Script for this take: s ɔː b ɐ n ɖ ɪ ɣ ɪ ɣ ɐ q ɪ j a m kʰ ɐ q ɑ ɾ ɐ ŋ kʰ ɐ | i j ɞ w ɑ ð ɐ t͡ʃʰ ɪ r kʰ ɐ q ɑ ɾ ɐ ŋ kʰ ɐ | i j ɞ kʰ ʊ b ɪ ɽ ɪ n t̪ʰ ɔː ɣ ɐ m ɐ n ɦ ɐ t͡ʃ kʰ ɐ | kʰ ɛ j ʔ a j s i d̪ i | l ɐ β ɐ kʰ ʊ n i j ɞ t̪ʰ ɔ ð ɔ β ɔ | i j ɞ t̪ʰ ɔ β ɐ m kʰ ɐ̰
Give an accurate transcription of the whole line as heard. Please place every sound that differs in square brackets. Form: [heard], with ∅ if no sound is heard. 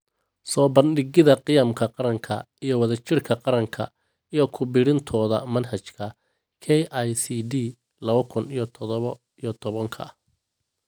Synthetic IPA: s ɔː b ɐ n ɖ ɪ ɣ ɪ [ð] ɐ q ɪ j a m kʰ ɐ q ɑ ɾ ɐ ŋ kʰ ɐ | i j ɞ w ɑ ð ɐ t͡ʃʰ ɪ r kʰ ɐ q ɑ ɾ ɐ ŋ kʰ ɐ | i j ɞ kʰ ʊ b ɪ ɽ ɪ n t̪ʰ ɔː [ð] ɐ m ɐ n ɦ ɐ t͡ʃ kʰ ɐ | kʰ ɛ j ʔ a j s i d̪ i | l ɐ β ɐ kʰ ʊ n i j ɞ t̪ʰ ɔ ð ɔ β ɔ | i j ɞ t̪ʰ ɔ β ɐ [ŋ] kʰ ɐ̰